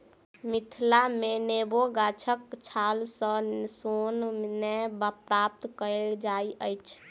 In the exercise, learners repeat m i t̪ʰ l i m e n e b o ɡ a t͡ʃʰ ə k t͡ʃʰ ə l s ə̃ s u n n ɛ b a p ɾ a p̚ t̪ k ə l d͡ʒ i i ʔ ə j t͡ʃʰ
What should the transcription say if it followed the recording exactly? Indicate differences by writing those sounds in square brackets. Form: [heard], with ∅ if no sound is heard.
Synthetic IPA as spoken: m i t̪ʰ l [a] m e n e b o ɡ a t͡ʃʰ ə k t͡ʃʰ [a] l s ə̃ s [o] n n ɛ b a p ɾ a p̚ t̪ k ə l d͡ʒ [a] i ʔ ə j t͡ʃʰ